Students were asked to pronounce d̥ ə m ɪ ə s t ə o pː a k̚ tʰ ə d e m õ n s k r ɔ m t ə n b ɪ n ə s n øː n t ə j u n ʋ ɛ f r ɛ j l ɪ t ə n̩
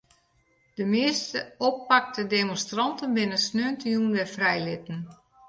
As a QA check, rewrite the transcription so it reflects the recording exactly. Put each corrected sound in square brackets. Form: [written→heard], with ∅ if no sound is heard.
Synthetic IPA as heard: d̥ ə m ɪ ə s t ə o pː a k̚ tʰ ə d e m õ n s [k→t] r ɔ [m→n] t ə n b ɪ n ə s n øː n t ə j u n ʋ ɛ f r ɛ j l ɪ t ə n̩

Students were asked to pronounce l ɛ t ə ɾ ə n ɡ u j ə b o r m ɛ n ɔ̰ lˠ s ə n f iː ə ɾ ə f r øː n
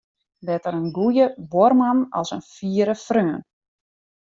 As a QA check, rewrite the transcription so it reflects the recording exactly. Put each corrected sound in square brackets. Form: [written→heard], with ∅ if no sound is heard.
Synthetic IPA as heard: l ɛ t ə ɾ ə n ɡ u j ə b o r m [ɛ→a] n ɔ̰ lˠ s ə n f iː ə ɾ ə f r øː n

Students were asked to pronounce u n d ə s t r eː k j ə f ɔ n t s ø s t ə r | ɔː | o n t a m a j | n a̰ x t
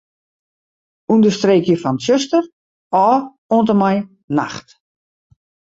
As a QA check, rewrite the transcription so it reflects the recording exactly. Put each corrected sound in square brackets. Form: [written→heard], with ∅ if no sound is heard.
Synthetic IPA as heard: u n d ə s t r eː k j ə f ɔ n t s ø s t ə r | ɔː | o n t [a→ə] m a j | n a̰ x t

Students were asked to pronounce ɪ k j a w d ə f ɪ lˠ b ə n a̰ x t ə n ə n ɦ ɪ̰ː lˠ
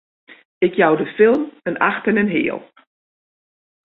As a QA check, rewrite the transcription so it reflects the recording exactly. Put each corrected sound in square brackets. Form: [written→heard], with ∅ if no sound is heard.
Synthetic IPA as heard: ɪ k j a w d ə f ɪ lˠ [b→m] ə n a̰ x t ə n ə n ɦ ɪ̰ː lˠ

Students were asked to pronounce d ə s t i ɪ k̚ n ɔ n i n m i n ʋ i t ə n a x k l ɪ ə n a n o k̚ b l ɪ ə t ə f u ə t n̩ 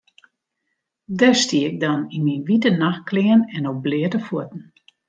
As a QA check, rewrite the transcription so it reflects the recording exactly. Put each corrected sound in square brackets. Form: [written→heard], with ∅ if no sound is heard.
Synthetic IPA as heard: d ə s t i ɪ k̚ [n→d] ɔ n i n m i n ʋ i t ə n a x k l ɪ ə n [a→ɛ] n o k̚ b l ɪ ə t ə f u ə t n̩

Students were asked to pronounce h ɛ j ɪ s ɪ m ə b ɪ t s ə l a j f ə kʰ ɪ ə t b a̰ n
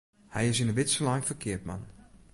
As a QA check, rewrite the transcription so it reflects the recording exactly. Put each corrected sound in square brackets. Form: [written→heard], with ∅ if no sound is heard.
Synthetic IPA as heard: h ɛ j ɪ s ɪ [m→n] ə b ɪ t s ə l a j f ə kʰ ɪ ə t [b→m] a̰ n

